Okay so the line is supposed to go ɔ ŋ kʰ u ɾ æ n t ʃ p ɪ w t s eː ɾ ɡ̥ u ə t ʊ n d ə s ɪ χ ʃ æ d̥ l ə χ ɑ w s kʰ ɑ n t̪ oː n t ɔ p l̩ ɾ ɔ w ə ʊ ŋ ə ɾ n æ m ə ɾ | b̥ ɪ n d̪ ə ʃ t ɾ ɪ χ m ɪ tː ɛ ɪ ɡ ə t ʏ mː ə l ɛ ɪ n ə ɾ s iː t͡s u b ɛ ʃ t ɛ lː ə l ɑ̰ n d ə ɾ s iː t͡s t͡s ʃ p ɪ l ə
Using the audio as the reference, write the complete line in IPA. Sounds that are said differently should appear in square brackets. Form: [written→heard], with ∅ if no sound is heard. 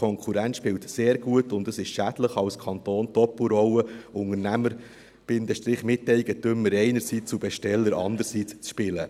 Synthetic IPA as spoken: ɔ ŋ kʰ u ɾ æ n t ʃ p ɪ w t s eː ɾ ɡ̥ u ə t ʊ n d ə s ɪ [χ→ʃ] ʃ æ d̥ l ə χ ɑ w s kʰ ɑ n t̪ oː n t ɔ p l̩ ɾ ɔ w ə ʊ ŋ ə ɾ n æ m ə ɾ | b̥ ɪ n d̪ ə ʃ t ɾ ɪ χ m ɪ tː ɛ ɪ ɡ ə t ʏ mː ə [l→ɾ] ɛ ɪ n ə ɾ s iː t͡s u b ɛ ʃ t ɛ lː ə [l→ɾ] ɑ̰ n d ə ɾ s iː t͡s t͡s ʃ p ɪ l ə